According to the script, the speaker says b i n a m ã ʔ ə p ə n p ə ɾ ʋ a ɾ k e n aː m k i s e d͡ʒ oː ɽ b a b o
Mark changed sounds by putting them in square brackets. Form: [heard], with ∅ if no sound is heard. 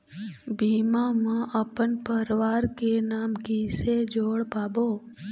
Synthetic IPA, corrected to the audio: b i [m] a m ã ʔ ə p ə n p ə ɾ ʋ a ɾ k e n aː m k i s e d͡ʒ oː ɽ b a b o